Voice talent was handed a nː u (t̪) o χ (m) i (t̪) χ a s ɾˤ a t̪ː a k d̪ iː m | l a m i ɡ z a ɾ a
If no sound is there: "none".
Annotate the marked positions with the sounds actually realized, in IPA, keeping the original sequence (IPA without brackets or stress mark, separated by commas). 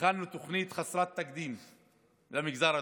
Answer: t̪, n, t̪